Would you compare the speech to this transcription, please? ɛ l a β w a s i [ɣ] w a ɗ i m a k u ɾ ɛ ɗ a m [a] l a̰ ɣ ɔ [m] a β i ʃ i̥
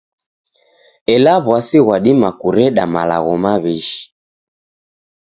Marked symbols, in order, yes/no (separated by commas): yes, yes, yes